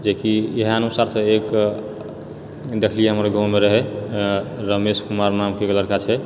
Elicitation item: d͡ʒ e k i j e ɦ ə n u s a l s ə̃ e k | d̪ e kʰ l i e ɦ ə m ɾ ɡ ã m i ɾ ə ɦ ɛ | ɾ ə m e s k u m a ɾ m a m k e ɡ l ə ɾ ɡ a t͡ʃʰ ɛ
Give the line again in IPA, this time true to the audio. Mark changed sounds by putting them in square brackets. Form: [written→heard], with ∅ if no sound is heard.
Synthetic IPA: d͡ʒ e k i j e ɦ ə n u s a [l→ɾ] s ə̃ e k | d̪ e kʰ l i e ɦ ə m ɾ ɡ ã m [i→e] ɾ ə ɦ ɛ | ɾ ə m e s k u m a ɾ [m→n] a m k e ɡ l ə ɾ [ɡ→k] a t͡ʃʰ ɛ